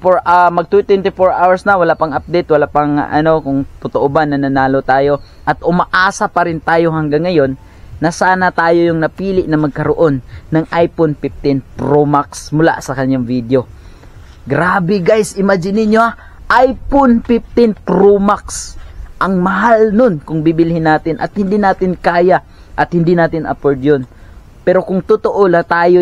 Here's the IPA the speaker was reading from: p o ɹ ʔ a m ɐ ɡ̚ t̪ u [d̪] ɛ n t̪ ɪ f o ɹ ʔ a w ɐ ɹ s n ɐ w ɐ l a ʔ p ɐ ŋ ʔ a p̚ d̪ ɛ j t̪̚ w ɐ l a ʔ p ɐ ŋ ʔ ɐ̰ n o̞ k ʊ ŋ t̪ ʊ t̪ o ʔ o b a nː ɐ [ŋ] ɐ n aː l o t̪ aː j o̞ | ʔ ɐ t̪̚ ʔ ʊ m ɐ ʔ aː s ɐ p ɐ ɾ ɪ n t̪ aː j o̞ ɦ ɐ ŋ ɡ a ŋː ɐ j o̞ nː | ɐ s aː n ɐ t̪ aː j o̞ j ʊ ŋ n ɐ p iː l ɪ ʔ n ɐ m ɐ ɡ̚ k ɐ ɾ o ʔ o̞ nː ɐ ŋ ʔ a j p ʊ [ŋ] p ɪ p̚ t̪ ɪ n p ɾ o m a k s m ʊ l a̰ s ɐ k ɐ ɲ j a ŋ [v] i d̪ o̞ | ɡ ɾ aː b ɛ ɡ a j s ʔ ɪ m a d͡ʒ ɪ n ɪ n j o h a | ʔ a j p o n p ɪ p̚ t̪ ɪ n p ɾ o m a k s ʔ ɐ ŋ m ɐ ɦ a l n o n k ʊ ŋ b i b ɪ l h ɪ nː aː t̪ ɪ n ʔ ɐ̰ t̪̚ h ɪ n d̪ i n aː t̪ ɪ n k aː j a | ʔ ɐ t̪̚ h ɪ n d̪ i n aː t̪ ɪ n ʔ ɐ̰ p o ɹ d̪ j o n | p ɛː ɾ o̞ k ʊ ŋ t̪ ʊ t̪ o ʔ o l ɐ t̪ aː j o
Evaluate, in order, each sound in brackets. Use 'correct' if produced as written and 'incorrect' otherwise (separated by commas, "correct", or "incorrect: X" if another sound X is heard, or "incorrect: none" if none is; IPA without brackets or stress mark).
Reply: incorrect: t̪, incorrect: n, incorrect: n, correct